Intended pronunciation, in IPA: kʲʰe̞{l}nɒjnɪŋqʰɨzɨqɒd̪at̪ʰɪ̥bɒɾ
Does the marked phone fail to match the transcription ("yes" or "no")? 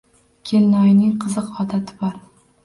no